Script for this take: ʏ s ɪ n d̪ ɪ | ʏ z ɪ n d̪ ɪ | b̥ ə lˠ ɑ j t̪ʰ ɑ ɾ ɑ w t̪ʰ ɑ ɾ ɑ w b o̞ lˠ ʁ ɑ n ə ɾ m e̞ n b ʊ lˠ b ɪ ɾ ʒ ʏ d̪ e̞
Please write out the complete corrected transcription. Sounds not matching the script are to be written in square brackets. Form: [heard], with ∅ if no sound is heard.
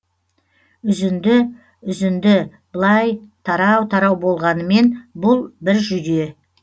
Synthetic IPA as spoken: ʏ [z] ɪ n d̪ ɪ | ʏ z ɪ n d̪ ɪ | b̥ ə lˠ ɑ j t̪ʰ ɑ ɾ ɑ w t̪ʰ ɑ ɾ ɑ w b o̞ lˠ ʁ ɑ n ə [∅] m e̞ n b ʊ lˠ b ɪ ɾ ʒ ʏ d̪ e̞

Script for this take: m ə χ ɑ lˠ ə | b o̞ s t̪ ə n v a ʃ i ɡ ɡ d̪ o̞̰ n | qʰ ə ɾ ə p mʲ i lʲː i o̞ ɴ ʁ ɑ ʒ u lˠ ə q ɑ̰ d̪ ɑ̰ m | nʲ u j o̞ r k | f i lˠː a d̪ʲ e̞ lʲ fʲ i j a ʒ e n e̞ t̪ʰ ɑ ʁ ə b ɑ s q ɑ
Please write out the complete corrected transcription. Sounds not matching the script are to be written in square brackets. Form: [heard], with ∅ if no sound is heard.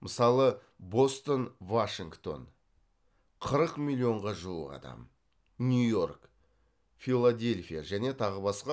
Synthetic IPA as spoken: m ə [s] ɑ lˠ ə | b o̞ s t̪ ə n v a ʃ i [ŋ] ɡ [t̪] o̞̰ n | qʰ ə ɾ ə [q] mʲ i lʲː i o̞ ɴ ʁ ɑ ʒ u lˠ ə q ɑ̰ d̪ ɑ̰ m | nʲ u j o̞ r k | f i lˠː a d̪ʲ e̞ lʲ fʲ i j a ʒ [æ] n e̞ t̪ʰ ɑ ʁ ə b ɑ s q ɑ

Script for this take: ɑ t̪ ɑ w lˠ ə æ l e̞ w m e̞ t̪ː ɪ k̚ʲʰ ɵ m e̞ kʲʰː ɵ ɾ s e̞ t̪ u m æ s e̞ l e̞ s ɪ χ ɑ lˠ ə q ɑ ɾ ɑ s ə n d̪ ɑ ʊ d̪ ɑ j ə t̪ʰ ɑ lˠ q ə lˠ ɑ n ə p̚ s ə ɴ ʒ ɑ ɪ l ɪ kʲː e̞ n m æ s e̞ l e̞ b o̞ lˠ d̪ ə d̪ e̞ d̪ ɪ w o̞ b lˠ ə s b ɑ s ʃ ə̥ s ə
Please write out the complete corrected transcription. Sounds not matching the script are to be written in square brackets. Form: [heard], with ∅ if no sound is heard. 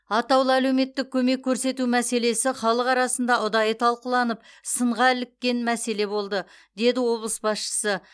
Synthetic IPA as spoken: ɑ t̪ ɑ w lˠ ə æ l e̞ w m e̞ t̪ː ɪ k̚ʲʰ ɵ m e̞ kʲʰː ɵ ɾ s e̞ t̪ u m æ s e̞ l e̞ s ɪ χ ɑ lˠ ə q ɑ ɾ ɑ s ə n d̪ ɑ ʊ d̪ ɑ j ə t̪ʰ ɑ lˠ q ə lˠ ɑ n ə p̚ s ə ɴ [ʁ] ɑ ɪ l ɪ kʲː e̞ n m æ s e̞ l e̞ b o̞ lˠ d̪ ə d̪ e̞ d̪ ɪ w o̞ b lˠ ə s b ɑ s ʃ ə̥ s ə

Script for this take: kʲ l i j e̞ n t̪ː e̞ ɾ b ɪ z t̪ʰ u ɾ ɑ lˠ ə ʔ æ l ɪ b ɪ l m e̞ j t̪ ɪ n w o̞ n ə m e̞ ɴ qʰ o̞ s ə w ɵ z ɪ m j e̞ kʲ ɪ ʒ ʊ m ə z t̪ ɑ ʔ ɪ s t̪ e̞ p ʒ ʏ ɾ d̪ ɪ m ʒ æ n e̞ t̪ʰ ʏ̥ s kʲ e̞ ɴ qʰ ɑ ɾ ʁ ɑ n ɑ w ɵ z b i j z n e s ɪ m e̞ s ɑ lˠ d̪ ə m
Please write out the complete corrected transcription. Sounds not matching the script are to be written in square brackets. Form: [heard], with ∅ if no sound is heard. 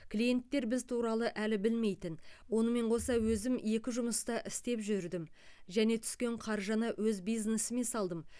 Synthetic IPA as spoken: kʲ l i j e̞ n t̪ː e̞ ɾ b ɪ z t̪ʰ u ɾ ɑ lˠ ə ʔ æ l ɪ b ɪ l m e̞ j t̪ ɪ n w o̞ n ə m e̞ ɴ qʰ o̞ s [ɑ] w ɵ z ɪ m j e̞ kʲ ɪ ʒ ʊ m ə [s] t̪ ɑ ʔ ɪ s t̪ e̞ p ʒ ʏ ɾ d̪ ɪ m ʒ æ n e̞ t̪ʰ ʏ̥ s kʲ e̞ ɴ qʰ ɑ ɾ [ʒ] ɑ n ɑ w ɵ z b i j z n e s ɪ m e̞ s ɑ lˠ d̪ ə m

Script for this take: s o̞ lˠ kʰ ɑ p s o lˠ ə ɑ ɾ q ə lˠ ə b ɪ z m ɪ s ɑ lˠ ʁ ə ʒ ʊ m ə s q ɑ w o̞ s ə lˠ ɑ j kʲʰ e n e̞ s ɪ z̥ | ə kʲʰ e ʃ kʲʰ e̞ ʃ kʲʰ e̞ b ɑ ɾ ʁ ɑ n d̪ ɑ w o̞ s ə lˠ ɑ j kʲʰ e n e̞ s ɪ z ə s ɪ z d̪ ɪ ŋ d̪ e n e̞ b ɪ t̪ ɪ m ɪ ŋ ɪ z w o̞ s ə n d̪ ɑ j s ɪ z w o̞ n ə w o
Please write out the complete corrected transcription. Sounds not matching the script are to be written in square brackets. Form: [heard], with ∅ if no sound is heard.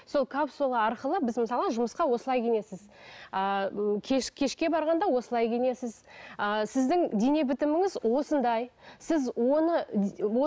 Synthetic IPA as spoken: s o̞ lˠ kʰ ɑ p s o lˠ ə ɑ ɾ q ə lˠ ə b ɪ z m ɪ s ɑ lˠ ʁ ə ʒ ʊ m ə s q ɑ w o̞ s ə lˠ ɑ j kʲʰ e n e̞ s ɪ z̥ | ə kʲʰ e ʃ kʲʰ e̞ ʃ [kʲ] e̞ b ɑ ɾ ʁ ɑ n d̪ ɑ w o̞ s ə lˠ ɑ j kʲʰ e n e̞ s ɪ z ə s ɪ z d̪ ɪ ŋ d̪ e n e̞ b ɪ t̪ ɪ m ɪ ŋ ɪ z w o̞ s ə n d̪ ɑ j s ɪ z w o̞ n ə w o

